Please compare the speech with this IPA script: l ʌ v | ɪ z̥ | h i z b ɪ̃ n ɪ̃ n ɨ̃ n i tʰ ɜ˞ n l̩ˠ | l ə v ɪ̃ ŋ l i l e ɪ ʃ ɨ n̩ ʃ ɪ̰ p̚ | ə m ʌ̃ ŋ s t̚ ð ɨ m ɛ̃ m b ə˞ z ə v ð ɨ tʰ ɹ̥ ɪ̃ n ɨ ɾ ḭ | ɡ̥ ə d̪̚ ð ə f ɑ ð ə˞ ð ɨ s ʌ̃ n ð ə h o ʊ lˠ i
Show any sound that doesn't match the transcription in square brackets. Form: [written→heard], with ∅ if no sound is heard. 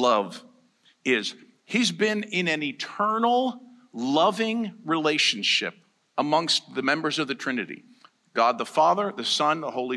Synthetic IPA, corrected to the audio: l ʌ v | ɪ z̥ | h i z b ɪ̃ n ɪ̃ n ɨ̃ n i tʰ ɜ˞ n l̩ˠ | l [ə→ʌ] v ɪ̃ ŋ [l→ɹ] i l e ɪ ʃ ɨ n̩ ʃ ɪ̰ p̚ | ə m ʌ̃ ŋ s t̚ ð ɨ m ɛ̃ m b ə˞ z [ə→ʌ] v ð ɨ tʰ ɹ̥ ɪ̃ n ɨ ɾ ḭ | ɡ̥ [ə→ɑ] d̪̚ ð ə f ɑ ð ə˞ ð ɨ s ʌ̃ n ð ə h o ʊ lˠ i